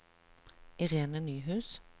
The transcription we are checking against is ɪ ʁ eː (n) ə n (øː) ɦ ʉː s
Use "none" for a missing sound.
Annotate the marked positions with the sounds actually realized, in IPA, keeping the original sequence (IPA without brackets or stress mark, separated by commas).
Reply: n, yː